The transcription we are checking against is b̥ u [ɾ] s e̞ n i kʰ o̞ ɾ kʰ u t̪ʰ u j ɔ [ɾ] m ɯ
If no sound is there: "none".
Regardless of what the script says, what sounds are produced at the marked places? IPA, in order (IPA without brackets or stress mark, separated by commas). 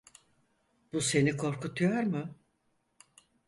none, ɾ